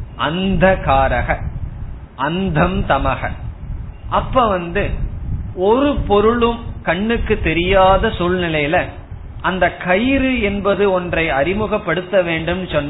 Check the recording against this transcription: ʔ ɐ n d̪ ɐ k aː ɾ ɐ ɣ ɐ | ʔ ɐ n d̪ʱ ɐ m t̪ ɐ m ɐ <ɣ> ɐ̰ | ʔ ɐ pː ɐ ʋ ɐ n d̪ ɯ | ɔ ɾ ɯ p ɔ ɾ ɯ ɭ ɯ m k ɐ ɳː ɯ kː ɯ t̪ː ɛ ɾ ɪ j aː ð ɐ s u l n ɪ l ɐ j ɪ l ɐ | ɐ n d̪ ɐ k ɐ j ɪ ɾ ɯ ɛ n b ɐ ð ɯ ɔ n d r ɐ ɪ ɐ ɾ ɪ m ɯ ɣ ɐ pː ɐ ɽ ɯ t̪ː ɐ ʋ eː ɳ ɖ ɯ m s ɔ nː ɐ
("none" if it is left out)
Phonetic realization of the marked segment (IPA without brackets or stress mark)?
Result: ɣ